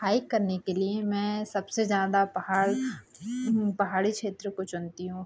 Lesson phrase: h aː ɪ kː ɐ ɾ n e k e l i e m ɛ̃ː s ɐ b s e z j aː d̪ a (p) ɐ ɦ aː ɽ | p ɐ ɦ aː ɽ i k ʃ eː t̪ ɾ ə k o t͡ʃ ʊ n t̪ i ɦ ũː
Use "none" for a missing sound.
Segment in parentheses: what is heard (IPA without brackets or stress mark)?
p